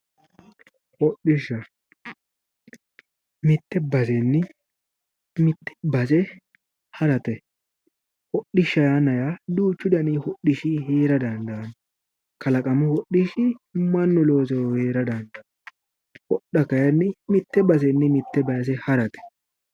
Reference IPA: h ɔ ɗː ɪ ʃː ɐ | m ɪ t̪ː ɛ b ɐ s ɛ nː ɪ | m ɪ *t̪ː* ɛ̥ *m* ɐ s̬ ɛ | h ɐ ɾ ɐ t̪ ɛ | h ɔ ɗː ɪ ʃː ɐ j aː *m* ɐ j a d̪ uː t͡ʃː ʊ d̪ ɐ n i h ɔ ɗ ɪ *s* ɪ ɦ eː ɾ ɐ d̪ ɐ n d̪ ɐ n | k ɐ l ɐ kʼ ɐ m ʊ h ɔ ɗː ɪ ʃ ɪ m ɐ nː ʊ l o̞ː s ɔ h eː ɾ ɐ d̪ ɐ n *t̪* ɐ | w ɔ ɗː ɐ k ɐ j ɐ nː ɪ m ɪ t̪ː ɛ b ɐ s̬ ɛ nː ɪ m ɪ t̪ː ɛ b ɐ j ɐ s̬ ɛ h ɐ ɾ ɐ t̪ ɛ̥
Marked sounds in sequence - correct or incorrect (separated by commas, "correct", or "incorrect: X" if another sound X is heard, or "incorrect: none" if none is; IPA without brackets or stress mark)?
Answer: correct, incorrect: b, incorrect: n, incorrect: ʃ, incorrect: d̪